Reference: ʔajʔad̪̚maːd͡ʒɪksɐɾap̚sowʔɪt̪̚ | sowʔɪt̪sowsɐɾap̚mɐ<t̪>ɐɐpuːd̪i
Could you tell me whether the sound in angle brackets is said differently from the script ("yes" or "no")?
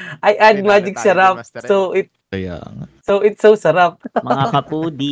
yes